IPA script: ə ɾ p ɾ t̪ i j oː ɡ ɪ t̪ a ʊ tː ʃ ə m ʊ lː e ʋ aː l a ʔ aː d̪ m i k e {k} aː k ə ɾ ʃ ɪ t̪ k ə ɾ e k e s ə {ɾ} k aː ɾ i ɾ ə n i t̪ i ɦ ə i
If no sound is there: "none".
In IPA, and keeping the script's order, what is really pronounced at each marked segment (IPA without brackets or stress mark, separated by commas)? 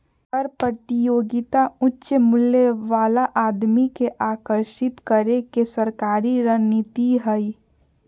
ʔ, ɾ